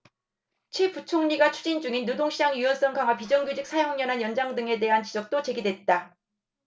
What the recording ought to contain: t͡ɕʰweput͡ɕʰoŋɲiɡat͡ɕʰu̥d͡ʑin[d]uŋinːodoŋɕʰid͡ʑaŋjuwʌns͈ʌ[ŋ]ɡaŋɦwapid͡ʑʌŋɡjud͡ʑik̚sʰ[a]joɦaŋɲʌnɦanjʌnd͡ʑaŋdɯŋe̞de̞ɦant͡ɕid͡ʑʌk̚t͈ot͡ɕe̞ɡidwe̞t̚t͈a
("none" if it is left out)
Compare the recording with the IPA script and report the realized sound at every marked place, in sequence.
d͡ʑ, ŋ, a

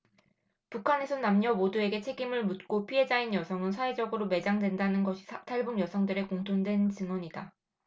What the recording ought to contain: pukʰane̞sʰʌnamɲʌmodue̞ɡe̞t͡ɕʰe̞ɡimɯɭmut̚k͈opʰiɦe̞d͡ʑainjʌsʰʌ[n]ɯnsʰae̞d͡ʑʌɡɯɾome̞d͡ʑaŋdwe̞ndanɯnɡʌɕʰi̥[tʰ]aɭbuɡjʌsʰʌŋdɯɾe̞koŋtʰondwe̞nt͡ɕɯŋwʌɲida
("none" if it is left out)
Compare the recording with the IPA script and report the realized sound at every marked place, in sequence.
ŋ, tʰ

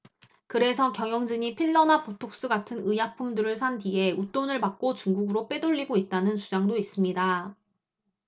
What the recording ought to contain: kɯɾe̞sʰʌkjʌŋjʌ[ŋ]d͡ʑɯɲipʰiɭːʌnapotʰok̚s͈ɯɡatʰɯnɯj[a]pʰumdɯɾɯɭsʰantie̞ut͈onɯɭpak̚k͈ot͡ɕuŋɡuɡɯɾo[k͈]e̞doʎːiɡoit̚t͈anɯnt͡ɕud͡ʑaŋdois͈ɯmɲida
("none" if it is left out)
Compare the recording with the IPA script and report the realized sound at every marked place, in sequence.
ŋ, a, p͈

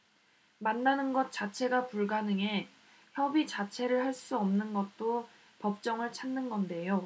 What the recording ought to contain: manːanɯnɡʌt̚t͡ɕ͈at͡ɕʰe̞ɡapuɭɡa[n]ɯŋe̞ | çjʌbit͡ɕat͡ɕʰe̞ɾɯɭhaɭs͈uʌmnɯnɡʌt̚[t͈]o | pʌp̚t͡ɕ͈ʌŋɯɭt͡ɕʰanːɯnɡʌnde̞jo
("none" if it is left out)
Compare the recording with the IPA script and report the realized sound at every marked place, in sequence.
n, t͈

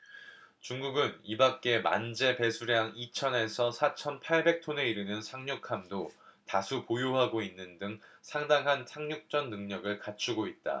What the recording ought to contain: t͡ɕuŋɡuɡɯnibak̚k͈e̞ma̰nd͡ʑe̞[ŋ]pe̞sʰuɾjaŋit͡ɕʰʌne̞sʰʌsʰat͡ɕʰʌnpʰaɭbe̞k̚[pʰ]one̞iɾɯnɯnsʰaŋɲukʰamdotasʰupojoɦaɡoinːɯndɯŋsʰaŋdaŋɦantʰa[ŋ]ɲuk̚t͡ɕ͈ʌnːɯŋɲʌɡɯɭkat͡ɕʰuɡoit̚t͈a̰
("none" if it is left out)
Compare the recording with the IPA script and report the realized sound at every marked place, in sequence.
none, tʰ, ŋ

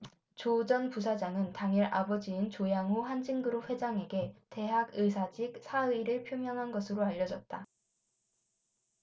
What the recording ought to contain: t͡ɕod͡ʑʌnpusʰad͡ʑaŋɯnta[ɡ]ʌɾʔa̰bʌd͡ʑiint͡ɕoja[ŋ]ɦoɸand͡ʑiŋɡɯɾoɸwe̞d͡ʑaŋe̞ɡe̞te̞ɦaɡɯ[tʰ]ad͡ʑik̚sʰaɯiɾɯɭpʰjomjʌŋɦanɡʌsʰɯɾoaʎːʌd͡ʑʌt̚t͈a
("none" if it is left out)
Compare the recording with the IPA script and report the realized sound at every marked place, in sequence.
ŋ, ŋ, sʰ

